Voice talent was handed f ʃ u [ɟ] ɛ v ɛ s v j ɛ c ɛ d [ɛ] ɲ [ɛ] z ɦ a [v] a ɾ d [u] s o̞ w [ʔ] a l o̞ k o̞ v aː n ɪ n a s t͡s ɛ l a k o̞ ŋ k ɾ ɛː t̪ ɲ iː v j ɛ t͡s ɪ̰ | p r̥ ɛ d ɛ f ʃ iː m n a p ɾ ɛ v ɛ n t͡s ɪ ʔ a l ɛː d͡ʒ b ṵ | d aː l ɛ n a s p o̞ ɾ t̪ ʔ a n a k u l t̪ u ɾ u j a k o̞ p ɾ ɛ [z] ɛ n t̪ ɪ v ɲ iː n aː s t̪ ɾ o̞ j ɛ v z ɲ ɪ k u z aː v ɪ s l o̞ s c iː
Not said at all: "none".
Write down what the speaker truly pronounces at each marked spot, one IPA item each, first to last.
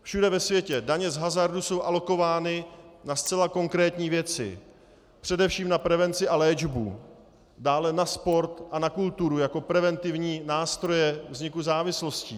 d, a, ɛ, z, u, ʔ, v

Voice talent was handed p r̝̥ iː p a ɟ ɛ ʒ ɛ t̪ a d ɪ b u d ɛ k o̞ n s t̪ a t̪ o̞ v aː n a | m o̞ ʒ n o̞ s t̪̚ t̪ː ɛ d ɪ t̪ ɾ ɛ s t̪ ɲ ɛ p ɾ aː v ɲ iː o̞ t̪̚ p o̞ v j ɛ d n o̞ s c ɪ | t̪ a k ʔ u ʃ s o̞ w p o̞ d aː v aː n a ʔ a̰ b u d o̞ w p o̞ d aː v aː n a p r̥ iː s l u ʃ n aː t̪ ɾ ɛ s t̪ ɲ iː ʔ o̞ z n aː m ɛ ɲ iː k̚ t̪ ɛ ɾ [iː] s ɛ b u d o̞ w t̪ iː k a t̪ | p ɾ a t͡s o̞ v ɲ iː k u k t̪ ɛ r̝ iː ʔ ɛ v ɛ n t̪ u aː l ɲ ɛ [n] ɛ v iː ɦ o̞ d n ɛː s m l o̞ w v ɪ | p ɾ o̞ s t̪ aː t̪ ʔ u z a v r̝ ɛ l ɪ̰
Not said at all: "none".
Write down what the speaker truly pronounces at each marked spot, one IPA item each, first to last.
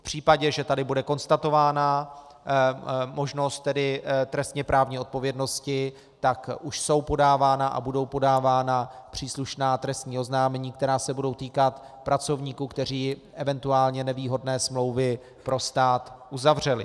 aː, n

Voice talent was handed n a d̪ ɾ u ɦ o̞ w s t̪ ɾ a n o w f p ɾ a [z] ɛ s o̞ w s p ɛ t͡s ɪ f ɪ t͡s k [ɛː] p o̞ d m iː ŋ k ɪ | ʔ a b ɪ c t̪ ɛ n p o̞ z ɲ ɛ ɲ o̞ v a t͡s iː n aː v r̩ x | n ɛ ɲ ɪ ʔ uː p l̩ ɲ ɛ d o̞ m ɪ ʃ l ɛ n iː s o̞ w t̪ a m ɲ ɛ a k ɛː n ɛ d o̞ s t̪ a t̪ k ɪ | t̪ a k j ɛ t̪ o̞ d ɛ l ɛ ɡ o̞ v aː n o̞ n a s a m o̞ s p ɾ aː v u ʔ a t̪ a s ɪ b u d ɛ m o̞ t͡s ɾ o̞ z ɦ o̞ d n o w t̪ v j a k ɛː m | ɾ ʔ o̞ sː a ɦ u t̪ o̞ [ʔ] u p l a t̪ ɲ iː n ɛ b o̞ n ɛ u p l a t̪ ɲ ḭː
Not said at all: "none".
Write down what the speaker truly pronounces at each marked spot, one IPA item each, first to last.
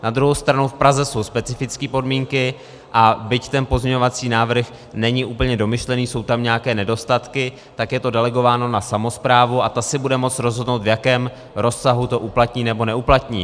z, iː, ʔ

